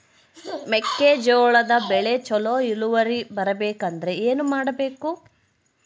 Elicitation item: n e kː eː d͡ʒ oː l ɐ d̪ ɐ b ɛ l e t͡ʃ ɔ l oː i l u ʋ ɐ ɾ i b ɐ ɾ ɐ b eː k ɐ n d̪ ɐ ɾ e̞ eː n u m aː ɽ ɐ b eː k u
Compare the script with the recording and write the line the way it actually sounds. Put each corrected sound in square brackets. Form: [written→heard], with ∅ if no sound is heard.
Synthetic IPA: [n→m] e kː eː d͡ʒ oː [l→ɭ] ɐ d̪ ɐ b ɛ [l→ɭ] e t͡ʃ ɔ l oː i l u ʋ ɐ ɾ i b ɐ ɾ ɐ b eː k ɐ n d̪ ɐ ɾ e̞ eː n u m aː ɽ ɐ b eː k u